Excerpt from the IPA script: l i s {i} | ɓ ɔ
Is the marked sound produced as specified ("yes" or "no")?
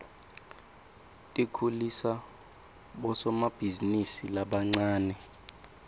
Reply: no